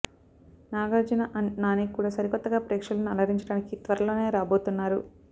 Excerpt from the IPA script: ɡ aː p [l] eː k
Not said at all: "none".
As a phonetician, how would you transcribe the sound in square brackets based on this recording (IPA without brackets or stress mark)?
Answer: ɾ